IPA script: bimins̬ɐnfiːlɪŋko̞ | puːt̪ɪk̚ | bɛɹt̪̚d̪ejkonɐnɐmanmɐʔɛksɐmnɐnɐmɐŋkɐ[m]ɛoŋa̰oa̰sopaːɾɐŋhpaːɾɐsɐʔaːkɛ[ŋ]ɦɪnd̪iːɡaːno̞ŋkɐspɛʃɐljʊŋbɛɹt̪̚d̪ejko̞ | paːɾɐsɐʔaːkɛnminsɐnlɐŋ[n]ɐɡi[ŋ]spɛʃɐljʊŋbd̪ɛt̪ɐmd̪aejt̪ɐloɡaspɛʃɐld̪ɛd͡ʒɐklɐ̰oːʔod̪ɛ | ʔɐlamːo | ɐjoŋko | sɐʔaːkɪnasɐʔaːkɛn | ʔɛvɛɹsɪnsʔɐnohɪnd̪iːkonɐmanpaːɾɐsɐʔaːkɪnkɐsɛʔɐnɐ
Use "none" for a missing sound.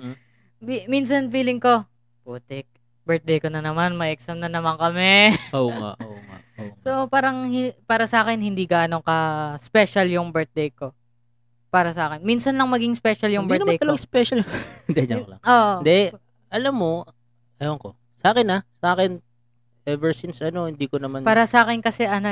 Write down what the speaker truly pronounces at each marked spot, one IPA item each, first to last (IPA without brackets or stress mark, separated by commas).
m, n, m, ŋ